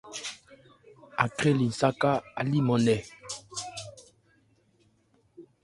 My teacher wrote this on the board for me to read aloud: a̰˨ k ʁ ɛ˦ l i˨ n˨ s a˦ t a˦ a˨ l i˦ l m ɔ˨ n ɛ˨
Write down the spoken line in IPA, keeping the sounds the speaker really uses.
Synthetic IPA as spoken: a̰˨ k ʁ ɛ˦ l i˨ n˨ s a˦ k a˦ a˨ l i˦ m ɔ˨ n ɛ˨